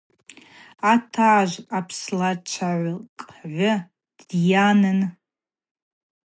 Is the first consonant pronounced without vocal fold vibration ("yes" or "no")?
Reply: yes